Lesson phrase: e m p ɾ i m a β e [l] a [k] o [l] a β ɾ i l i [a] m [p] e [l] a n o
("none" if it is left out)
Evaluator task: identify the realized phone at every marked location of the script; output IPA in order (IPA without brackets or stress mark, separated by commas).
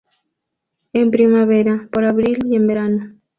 ɾ, p, ɾ, e, b, ɾ